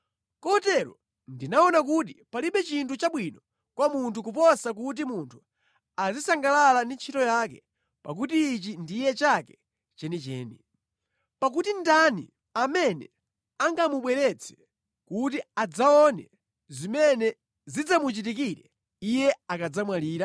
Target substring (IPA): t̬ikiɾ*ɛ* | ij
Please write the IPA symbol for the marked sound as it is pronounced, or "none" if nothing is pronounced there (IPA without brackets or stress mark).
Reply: ɛ